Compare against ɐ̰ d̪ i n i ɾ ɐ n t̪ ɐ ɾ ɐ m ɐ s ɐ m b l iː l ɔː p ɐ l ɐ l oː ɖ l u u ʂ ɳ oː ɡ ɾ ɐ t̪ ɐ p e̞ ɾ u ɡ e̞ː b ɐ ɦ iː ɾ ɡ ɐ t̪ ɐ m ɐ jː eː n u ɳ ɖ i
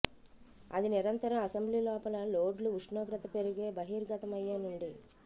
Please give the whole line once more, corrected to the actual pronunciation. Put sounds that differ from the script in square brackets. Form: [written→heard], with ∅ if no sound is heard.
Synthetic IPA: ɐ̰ d̪ i n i ɾ ɐ n t̪ ɐ ɾ ɐ m ɐ s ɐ m b l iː l ɔː p ɐ l ɐ l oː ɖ l u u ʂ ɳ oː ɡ ɾ ɐ t̪ ɐ p e̞ ɾ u ɡ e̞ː b ɐ ɦ iː ɾ ɡ ɐ t̪ ɐ m ɐ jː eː n u ɳ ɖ i